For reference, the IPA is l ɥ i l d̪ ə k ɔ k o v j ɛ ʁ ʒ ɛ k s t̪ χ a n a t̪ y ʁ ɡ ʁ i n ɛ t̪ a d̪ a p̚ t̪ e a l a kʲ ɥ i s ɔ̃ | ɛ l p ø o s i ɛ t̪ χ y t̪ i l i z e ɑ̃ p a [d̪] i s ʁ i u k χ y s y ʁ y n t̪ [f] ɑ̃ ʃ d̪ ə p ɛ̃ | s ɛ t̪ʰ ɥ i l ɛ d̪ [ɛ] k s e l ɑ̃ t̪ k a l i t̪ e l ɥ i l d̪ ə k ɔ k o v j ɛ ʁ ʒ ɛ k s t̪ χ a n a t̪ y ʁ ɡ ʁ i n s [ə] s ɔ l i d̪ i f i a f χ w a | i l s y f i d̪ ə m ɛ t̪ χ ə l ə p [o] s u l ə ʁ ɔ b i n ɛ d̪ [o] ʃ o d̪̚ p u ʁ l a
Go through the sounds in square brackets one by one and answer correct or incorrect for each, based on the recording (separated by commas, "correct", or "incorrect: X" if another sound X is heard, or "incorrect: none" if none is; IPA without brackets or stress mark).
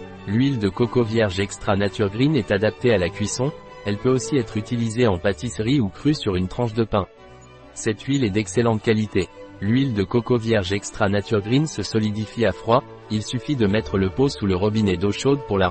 incorrect: t̪, incorrect: χ, correct, correct, correct, correct